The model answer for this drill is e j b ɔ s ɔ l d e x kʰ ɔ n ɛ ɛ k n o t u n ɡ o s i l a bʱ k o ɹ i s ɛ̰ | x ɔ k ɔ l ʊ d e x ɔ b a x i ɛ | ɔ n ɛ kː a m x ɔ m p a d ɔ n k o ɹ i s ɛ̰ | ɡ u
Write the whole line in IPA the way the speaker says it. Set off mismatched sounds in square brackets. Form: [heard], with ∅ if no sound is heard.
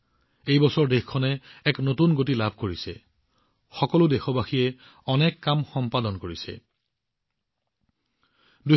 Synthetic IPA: e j b ɔ s ɔ [ɹ] d e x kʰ ɔ n ɛ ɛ k n o t u n ɡ o [t] i l a bʱ k o ɹ i s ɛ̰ | x ɔ k ɔ l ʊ d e x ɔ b a x i ɛ | ɔ n ɛ kː a m x ɔ m p a d ɔ n k o ɹ i s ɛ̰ | [d] u